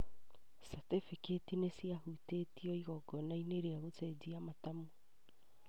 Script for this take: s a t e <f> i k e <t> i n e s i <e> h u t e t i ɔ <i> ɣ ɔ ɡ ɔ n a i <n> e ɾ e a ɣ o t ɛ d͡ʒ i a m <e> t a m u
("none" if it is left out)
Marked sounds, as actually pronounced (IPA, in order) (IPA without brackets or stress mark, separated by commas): f, t, a, i, n, a